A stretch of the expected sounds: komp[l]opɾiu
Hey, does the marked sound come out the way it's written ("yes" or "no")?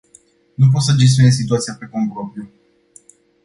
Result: no